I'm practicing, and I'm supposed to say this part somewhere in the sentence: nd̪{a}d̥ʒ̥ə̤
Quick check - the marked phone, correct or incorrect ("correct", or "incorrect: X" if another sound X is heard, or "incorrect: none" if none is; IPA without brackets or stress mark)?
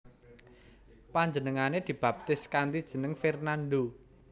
incorrect: i